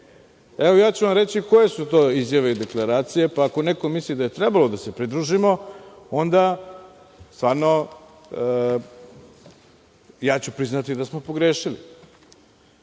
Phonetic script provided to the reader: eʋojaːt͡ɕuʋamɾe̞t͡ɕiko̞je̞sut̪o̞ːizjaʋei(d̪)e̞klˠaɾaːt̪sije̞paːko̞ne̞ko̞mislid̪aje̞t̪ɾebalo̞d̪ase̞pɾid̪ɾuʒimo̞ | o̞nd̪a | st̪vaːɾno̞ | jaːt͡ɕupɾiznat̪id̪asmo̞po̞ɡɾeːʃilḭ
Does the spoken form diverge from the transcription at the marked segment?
no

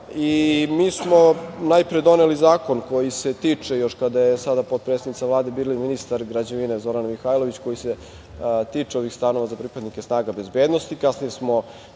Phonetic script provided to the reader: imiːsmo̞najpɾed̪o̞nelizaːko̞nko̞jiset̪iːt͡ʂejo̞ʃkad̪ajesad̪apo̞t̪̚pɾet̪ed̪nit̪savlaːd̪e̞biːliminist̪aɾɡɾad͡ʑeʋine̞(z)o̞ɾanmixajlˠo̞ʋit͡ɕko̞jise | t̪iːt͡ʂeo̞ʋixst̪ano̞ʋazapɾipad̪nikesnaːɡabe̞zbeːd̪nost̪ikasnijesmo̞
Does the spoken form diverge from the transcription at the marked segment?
no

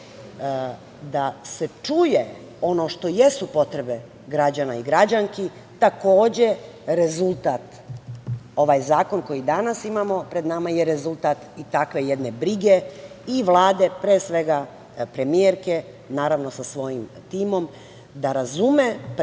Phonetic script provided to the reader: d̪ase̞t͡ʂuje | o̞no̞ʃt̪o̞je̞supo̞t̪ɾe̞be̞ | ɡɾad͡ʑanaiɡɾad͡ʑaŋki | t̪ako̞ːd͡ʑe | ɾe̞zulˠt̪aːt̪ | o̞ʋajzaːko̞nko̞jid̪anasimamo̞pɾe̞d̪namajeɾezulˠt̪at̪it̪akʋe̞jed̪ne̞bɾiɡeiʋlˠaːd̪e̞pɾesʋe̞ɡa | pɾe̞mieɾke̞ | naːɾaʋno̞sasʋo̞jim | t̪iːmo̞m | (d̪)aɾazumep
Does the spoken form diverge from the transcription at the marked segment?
no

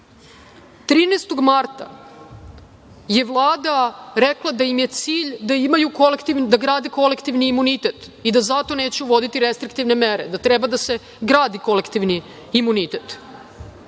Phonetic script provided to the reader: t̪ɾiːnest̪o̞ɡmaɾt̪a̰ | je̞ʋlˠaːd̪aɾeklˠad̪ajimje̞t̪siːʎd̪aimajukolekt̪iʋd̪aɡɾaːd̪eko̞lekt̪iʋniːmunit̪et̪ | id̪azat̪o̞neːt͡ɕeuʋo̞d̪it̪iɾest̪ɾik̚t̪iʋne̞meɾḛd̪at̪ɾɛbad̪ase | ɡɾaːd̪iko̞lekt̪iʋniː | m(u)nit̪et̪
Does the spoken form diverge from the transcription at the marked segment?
no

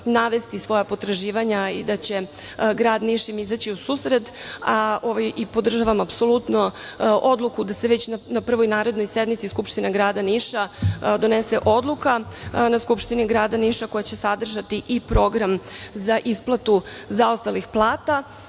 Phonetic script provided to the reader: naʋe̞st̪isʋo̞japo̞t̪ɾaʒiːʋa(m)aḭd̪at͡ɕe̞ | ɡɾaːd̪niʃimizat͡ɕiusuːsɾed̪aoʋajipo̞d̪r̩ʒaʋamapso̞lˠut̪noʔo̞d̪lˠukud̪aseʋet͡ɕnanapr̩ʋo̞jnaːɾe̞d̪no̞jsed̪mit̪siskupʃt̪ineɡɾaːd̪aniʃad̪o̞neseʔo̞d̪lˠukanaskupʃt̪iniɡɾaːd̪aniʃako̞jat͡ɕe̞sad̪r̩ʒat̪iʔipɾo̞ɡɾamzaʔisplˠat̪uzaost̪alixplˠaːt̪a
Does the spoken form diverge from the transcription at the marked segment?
yes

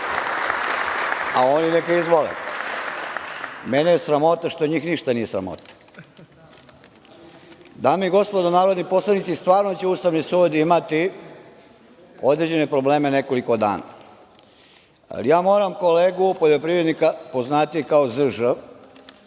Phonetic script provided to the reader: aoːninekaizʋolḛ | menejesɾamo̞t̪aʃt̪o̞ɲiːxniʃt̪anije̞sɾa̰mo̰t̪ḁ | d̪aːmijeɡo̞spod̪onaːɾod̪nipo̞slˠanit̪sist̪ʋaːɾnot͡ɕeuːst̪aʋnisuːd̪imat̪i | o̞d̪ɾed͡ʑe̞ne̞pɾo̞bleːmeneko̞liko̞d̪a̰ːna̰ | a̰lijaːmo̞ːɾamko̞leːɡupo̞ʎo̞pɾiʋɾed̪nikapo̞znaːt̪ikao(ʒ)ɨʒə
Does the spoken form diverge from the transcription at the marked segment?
yes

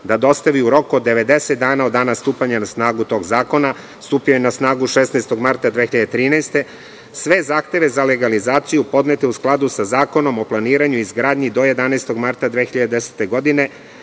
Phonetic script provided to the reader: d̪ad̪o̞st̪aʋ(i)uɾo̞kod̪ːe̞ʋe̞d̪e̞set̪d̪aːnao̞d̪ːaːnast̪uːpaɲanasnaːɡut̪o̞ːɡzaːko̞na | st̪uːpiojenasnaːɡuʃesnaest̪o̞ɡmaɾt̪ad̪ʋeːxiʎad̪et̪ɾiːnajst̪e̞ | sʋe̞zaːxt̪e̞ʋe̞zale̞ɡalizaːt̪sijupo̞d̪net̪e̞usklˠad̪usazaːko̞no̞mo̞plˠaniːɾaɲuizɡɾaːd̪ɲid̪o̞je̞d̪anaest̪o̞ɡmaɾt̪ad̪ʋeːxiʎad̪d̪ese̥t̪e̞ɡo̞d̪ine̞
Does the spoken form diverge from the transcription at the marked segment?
no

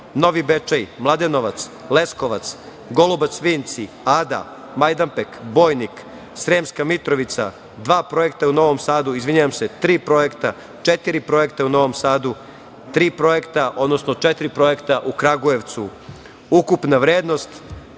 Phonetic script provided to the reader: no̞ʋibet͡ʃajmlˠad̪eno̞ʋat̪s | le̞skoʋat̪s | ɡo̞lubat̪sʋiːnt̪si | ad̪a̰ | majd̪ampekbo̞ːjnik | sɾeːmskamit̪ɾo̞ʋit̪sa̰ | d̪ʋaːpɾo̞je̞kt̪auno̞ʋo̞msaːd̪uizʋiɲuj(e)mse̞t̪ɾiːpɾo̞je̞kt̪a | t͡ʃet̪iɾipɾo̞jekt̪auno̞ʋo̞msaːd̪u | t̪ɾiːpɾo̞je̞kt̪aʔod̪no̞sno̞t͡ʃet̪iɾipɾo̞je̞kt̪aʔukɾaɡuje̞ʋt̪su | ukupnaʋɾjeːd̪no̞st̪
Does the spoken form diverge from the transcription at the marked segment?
yes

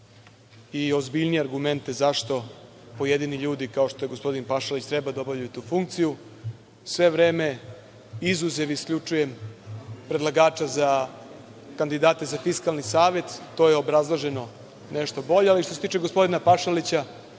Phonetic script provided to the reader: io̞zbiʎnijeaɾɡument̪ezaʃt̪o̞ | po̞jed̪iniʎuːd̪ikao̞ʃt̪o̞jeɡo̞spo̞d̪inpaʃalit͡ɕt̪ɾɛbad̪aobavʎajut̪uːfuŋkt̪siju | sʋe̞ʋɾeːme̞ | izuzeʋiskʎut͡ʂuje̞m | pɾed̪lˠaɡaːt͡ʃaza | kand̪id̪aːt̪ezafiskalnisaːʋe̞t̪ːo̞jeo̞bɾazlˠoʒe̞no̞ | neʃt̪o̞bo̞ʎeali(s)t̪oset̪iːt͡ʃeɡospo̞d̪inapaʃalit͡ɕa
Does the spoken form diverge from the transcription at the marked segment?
yes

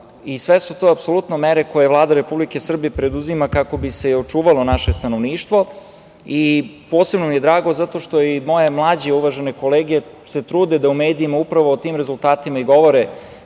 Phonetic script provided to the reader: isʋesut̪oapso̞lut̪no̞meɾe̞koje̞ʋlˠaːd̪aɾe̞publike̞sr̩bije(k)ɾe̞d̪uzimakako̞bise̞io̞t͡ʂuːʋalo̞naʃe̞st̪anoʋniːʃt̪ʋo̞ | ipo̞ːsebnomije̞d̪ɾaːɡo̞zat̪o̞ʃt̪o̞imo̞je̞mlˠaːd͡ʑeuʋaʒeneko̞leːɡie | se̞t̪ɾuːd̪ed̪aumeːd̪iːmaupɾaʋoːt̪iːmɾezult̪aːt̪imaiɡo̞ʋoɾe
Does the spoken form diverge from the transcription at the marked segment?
yes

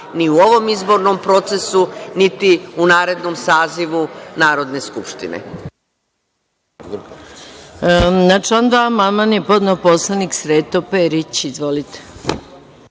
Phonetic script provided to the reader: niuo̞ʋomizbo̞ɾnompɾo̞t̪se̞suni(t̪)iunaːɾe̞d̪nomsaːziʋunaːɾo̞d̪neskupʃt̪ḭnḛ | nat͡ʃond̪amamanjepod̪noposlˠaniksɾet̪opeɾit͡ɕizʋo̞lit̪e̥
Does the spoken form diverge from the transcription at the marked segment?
no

